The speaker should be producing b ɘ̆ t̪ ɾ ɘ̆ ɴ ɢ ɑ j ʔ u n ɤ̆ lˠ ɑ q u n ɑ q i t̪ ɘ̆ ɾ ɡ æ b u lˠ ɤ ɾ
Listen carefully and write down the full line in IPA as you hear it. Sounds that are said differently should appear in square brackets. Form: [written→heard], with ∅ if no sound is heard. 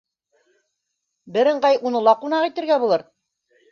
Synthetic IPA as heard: b ɘ̆ [t̪→∅] ɾ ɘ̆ ɴ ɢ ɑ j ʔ u n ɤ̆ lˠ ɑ q u n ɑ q i t̪ ɘ̆ ɾ ɡ æ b u lˠ ɤ ɾ

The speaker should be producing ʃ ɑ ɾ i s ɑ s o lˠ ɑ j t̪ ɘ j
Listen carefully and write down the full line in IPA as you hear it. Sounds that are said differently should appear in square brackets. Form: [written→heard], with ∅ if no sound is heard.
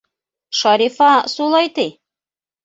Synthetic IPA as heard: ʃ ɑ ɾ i [s→f] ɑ s [o→u] lˠ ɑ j t̪ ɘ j

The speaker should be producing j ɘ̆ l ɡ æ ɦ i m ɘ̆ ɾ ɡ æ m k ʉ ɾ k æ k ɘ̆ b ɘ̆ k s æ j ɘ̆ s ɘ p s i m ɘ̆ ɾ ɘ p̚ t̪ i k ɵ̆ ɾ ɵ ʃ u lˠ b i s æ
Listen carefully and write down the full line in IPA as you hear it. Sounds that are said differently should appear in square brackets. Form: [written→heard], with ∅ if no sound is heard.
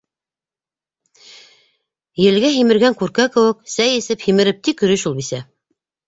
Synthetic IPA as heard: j ɘ̆ l ɡ æ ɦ i m ɘ̆ ɾ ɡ æ [m→ŋ] k ʉ ɾ k æ k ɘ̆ [b→w] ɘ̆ k s æ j ɘ̆ s ɘ p [s→h] i m ɘ̆ ɾ ɘ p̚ t̪ i k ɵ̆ ɾ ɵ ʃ u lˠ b i s æ

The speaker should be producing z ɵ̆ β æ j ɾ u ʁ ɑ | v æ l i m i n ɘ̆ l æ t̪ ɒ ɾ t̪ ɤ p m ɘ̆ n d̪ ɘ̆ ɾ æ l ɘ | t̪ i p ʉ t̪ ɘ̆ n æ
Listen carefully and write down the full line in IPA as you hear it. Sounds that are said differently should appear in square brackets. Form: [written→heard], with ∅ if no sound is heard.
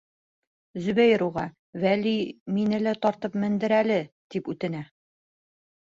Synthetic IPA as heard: z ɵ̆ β æ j ɾ u ʁ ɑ | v æ l i m i n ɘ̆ l æ t̪ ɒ ɾ t̪ ɤ p m ɘ̆ n d̪ ɘ̆ ɾ æ l ɘ | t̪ i p ʉ t̪ ɘ̆ n æ

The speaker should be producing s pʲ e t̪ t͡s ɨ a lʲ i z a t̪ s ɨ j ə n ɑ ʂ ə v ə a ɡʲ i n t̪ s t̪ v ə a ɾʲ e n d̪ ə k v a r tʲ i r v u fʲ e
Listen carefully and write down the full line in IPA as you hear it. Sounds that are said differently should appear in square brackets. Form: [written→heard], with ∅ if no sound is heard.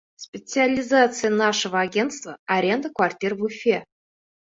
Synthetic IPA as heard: s pʲ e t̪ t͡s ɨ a lʲ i z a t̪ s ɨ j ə n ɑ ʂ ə v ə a ɡʲ [i→e] n t̪ s t̪ v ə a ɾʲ e n d̪ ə k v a r tʲ i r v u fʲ e

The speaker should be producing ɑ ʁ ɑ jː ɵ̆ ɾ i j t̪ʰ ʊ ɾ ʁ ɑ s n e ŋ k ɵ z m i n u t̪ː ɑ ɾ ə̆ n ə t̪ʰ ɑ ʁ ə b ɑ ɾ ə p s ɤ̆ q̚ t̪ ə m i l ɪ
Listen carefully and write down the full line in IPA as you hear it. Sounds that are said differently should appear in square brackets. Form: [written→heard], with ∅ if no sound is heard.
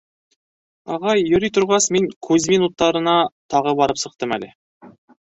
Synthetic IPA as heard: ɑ ʁ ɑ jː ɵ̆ ɾ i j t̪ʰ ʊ ɾ ʁ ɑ s [n→m] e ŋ [k→kʰ] ɵ z m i n u t̪ː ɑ ɾ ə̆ n [ə→ɑ] t̪ʰ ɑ ʁ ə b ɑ ɾ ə p s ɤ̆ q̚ t̪ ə m [i→æ] l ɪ

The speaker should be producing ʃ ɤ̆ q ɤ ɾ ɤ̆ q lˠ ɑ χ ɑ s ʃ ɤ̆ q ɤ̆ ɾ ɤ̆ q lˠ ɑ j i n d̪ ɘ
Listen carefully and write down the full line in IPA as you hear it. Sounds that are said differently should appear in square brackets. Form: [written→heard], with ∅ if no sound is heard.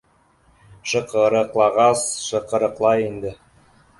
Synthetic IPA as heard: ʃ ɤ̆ q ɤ ɾ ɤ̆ q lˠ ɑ [χ→ʁ] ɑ s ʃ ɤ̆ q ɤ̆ ɾ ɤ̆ q lˠ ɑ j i n d̪ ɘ

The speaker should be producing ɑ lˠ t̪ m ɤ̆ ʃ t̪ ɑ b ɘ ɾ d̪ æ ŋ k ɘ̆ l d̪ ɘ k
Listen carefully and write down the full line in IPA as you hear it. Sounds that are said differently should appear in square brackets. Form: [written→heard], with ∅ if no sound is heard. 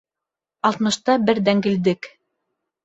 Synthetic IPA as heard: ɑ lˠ t̪ m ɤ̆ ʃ t̪ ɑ b ɘ ɾ d̪ æ ŋ [k→ɡ] ɘ̆ l d̪ ɘ k

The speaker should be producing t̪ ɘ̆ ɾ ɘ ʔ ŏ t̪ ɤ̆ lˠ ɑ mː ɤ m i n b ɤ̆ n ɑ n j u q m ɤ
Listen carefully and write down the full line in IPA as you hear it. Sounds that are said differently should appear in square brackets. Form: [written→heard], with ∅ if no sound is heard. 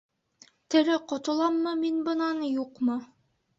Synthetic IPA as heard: t̪ ɘ̆ ɾ ɘ [ʔ→q] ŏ t̪ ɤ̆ lˠ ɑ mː ɤ m i n b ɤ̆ n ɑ n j u q m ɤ

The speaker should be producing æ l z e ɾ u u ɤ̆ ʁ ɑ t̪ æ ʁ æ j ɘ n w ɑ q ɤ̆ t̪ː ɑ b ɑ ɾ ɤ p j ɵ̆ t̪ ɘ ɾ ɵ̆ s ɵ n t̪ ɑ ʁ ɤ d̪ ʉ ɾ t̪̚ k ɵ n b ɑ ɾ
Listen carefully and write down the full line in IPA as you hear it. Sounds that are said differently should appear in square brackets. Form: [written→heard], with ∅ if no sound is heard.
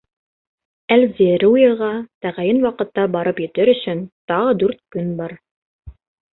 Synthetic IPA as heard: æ l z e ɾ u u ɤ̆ ʁ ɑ t̪ æ ʁ æ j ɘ n w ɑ q ɤ̆ t̪ː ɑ b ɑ ɾ ɤ p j ɵ̆ t̪ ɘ ɾ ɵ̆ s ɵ n t̪ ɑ ʁ ɤ d̪ ʉ ɾ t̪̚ k ɵ n b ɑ ɾ

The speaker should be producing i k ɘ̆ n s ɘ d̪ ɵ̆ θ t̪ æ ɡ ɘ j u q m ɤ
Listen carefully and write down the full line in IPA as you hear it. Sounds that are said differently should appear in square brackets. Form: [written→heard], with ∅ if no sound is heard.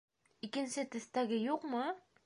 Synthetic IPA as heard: i k ɘ̆ n s ɘ [d̪→t̪] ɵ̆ θ t̪ æ ɡ ɘ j u q m ɤ

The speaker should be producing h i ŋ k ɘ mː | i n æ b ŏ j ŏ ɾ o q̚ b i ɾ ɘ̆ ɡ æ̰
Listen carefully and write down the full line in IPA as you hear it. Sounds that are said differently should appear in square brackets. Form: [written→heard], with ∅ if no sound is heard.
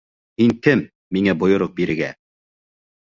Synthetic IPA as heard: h i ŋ k ɘ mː | i [n→ŋ] æ b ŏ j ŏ ɾ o q̚ b i ɾ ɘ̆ ɡ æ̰

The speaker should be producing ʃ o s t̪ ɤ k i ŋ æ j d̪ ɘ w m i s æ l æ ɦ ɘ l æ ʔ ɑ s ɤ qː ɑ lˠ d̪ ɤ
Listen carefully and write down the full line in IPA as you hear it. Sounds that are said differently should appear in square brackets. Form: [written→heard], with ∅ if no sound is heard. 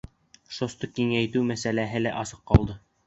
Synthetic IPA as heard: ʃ o s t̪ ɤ k i ŋ æ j [d̪→t̪] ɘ w m [i→æ] s æ l æ ɦ ɘ l æ ʔ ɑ s ɤ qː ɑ lˠ d̪ ɤ

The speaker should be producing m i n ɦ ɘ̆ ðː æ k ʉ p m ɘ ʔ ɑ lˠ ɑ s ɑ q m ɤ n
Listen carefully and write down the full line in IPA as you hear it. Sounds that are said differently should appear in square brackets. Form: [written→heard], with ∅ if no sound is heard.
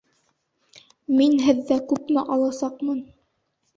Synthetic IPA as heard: m i n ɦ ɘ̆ ðː æ k ʉ p m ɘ ʔ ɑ lˠ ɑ s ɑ q m ɤ n

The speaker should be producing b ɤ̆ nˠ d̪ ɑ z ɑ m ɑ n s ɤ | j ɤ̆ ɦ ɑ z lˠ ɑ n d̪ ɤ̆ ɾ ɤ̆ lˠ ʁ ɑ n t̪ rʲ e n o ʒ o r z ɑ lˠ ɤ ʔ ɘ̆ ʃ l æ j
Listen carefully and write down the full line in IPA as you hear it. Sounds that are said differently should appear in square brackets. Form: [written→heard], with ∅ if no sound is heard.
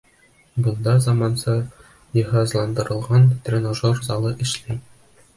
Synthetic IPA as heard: b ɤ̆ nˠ d̪ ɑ z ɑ m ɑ n s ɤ | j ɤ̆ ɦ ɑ z lˠ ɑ n d̪ ɤ̆ ɾ ɤ̆ lˠ ʁ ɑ n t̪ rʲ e n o ʒ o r z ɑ lˠ ɤ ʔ ɘ̆ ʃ l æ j

